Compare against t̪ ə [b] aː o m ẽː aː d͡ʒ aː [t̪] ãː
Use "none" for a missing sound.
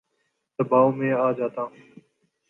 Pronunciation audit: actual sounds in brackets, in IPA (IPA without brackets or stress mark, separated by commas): b, t̪